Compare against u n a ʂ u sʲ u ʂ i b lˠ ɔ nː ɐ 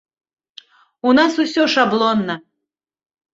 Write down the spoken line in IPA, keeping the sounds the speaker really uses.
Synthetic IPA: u n a s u sʲ ɔ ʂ a b lˠ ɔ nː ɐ